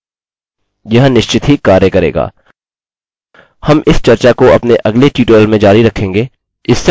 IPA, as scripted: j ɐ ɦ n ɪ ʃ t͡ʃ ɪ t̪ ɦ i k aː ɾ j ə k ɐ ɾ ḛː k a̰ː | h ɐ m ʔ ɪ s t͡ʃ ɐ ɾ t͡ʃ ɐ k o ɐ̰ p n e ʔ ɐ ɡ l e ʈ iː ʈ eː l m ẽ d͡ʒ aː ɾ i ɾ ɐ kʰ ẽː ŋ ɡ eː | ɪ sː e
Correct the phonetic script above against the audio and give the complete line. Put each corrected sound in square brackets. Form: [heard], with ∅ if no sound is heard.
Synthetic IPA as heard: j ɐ ɦ n ɪ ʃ t͡ʃ ɪ t̪ ɦ i k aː ɾ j ə k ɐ ɾ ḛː [ɡ] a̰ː | h ɐ m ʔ ɪ s t͡ʃ ɐ ɾ t͡ʃ [a] k o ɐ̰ p n e ʔ ɐ ɡ l e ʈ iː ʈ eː l m ẽ d͡ʒ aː ɾ i ɾ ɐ kʰ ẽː ŋ ɡ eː | ɪ sː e